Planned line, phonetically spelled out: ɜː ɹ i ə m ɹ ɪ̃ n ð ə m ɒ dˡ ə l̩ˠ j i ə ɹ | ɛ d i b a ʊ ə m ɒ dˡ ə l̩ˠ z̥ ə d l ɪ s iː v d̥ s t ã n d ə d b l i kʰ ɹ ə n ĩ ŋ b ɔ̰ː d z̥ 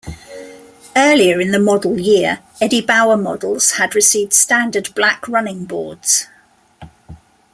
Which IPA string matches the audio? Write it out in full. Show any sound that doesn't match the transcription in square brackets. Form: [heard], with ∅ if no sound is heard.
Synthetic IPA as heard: ɜː [l] i ə [∅] ɹ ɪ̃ n ð ə m ɒ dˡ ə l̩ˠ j [ɪ] ə ɹ | ɛ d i b a ʊ ə m ɒ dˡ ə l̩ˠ z̥ ə d [ɹ] ɪ s iː v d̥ s t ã n d ə d b l [a] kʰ ɹ [ʌ] n [ɪ̃] ŋ b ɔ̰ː d z̥